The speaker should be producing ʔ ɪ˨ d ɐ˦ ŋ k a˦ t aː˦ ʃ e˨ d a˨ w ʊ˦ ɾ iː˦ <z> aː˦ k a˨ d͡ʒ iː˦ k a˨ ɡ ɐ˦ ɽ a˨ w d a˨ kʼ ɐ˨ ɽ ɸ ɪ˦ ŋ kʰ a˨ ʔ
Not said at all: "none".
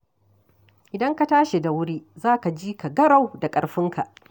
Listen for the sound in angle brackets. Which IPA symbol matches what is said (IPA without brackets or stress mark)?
z